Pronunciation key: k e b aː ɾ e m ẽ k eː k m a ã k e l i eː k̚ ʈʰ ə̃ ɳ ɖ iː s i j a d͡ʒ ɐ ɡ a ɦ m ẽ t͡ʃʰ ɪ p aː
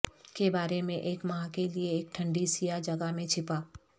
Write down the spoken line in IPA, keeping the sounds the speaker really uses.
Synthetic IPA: k e b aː ɾ e m ẽ ʔ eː k m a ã k e l i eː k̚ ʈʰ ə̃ ɳ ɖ i s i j a d͡ʒ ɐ ɡ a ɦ m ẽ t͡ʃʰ ɪ p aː